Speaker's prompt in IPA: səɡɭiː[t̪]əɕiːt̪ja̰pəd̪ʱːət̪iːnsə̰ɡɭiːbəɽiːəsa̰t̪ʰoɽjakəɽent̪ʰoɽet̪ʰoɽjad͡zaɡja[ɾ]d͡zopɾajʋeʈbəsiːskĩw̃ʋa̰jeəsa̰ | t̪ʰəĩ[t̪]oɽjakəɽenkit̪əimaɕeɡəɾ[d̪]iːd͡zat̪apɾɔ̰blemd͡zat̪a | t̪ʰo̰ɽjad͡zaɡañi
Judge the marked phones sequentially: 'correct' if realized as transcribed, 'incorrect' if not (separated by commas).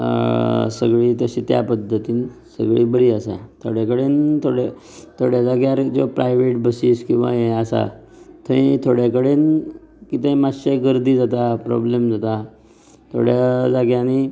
correct, correct, incorrect, correct